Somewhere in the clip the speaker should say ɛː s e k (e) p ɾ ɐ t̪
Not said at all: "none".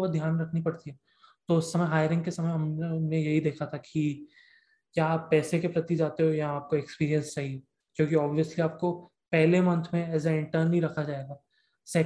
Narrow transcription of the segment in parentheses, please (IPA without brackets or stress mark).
e